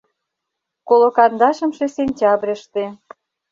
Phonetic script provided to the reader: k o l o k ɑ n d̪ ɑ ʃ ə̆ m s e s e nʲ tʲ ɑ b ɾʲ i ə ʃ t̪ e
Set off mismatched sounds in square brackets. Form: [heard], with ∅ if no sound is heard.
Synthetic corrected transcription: k o l o k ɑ n d̪ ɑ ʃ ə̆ m [ʃ] e s e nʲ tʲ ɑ b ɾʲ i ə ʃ t̪ e